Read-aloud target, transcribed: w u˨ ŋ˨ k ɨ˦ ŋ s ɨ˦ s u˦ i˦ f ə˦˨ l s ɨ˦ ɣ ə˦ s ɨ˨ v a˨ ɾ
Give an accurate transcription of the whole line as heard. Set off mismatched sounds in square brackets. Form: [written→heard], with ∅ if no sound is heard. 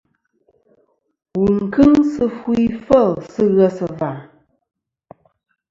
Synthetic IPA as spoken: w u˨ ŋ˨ k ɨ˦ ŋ s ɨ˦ [s→f] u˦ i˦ f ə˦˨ l s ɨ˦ ɣ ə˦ s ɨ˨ v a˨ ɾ